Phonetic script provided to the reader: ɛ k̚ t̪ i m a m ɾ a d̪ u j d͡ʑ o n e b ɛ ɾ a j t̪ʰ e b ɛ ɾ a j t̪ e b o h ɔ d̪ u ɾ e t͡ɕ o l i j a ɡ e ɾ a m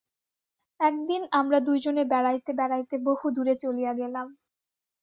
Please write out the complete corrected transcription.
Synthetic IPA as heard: ɛ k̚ d̪ i n a m ɾ a d̪ u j d͡ʑ o n e b ɛ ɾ a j t̪ e b ɛ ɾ a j t̪ e b o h u d̪ u ɾ e t͡ɕ o l i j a ɡ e l a m